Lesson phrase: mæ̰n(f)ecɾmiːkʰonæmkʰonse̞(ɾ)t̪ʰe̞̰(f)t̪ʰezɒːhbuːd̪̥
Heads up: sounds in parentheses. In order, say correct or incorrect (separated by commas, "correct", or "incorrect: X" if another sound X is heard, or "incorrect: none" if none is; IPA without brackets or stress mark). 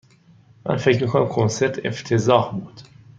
correct, correct, correct